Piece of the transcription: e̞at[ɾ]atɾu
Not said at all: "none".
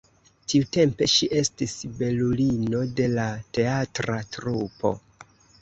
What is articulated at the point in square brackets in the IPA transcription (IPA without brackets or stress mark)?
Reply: ɾ